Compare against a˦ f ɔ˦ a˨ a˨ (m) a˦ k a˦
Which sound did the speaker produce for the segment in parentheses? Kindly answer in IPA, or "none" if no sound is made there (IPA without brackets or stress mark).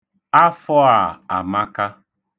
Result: m